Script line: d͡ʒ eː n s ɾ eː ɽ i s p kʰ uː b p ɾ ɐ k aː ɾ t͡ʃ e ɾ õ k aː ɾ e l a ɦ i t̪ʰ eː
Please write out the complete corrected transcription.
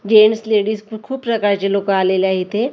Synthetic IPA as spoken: d͡ʒ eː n s l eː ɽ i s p kʰ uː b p ɾ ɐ k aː ɾ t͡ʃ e l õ k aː l e l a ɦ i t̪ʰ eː